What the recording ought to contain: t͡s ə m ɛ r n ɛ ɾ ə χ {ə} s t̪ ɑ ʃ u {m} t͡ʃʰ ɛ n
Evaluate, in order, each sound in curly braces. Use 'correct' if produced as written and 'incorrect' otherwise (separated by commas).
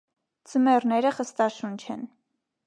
correct, incorrect